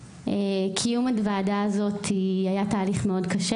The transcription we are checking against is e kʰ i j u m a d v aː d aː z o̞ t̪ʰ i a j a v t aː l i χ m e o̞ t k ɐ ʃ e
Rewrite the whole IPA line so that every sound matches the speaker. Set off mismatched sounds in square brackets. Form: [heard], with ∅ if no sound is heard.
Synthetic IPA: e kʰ i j u m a d v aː d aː z o̞ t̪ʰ i a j a [∅] t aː l i χ m e o̞ [d] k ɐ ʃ e